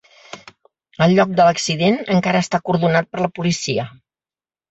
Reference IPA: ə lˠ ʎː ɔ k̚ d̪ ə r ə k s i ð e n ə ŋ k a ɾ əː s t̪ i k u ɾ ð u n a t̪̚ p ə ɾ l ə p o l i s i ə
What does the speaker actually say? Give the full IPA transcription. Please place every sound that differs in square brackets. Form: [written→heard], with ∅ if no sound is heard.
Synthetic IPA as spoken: ə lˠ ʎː ɔ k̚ d̪ ə [r→l] ə k s i ð e n ə ŋ k a ɾ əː s t̪ [i→a] k u ɾ ð u n a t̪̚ p ə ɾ l ə p [o→u] l i s i ə

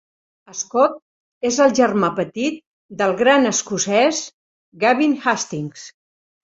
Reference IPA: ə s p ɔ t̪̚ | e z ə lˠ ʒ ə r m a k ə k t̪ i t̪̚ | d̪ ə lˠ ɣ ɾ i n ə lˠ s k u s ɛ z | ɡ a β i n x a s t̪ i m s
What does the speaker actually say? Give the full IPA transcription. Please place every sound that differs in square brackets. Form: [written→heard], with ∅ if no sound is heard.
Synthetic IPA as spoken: ə s [p→k] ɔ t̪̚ | e z ə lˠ ʒ ə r m a [k→p] ə [k→∅] t̪ i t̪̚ | d̪ ə lˠ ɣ ɾ [i→a] n ə [lˠ→∅] s k u s ɛ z | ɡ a β i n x a s t̪ i [m→ŋ] s

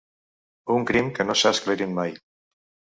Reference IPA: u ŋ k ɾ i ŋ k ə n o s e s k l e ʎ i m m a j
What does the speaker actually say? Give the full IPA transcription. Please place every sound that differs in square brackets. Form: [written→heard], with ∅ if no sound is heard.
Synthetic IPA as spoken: u ŋ k ɾ i [ŋ→m] k ə n o s [e→a] s k l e [ʎ→ɾ] i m m a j

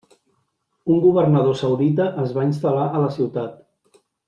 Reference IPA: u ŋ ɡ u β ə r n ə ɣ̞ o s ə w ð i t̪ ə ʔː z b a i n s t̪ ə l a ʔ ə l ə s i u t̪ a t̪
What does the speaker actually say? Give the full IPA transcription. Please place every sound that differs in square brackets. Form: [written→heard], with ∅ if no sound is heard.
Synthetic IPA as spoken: u ŋ ɡ u β ə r n ə [ɣ̞→ð̞] o s ə w ð i t̪ ə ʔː z [b→β] a i n s t̪ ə l a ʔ ə l ə s i [u→w] t̪ a t̪

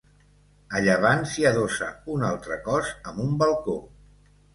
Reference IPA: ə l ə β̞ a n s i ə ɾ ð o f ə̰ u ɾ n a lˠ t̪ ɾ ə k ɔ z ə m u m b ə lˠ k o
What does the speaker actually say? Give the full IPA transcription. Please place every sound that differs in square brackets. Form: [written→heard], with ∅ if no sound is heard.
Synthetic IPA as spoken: ə [l→ʎ] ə β̞ a n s i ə [ɾ→∅] ð o [f→s] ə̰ u [ɾ→∅] n a lˠ t̪ ɾ ə k ɔ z ə m u m b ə lˠ k o

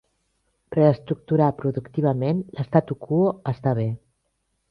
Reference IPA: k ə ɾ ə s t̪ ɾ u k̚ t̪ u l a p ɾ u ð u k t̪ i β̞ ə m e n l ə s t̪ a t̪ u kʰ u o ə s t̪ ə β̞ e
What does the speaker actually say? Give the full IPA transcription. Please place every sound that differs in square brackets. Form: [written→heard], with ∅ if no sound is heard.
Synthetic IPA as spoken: [k→p] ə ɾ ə s t̪ ɾ u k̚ t̪ u [l→ɾ] a p ɾ u ð u k t̪ i β̞ ə m e n l ə s t̪ a t̪ u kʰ u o ə s t̪ [ə→a] β̞ e

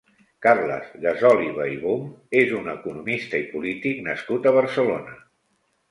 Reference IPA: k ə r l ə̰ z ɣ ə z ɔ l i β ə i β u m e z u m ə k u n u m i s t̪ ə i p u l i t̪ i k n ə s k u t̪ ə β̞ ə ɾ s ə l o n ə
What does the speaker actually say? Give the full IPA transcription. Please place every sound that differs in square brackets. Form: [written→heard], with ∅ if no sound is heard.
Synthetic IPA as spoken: k [ə→a] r l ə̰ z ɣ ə z ɔ l i β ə i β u m e z u [m→n] ə k u n u m i s t̪ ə i p u l i t̪ i k n ə s k u t̪ ə β̞ ə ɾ s ə l o n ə

